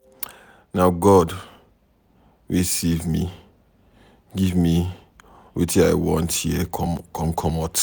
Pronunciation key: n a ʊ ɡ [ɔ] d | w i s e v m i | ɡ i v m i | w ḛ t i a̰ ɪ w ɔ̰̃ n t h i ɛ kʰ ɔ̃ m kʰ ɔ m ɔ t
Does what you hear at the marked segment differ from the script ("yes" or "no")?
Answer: no